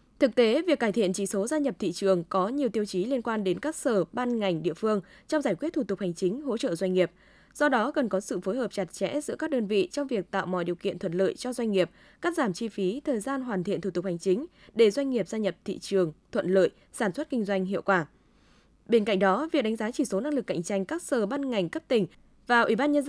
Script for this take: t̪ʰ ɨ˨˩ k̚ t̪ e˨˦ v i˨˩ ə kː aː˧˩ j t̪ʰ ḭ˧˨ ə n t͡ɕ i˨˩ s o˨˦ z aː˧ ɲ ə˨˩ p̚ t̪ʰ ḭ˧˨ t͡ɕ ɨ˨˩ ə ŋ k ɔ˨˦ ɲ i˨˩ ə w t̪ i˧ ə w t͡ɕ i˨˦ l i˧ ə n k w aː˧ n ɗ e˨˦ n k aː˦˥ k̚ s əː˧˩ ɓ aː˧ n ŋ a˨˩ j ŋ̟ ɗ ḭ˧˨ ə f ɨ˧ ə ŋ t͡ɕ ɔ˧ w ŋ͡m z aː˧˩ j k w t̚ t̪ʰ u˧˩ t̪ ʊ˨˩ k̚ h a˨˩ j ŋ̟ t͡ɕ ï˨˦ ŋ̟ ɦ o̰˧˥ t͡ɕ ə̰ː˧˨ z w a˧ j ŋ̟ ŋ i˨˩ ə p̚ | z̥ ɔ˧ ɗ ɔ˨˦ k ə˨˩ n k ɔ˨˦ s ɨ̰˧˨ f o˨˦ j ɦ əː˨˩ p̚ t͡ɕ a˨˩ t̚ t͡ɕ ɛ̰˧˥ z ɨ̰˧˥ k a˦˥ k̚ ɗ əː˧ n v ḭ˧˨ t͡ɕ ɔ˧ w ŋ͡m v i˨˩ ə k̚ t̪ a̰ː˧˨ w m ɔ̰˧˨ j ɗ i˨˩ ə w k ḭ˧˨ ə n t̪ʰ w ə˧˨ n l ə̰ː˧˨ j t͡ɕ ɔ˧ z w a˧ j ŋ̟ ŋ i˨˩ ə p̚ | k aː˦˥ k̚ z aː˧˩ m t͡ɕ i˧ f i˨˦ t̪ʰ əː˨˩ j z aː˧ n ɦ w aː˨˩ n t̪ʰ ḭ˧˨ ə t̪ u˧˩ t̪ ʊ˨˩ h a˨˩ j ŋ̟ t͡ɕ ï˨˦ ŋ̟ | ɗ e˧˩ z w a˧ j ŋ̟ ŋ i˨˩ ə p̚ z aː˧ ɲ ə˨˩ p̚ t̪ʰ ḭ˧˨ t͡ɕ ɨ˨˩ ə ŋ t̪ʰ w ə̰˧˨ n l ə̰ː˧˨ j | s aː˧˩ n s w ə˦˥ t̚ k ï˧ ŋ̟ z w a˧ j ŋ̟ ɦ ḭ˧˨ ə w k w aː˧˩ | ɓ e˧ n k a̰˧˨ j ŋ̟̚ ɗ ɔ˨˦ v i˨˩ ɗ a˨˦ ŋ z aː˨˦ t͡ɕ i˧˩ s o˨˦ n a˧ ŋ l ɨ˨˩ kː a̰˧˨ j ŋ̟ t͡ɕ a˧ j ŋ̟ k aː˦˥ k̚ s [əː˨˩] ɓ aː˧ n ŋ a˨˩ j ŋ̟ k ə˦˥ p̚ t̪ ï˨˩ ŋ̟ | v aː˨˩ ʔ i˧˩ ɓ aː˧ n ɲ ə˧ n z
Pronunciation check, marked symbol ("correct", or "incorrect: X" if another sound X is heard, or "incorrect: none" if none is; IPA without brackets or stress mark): correct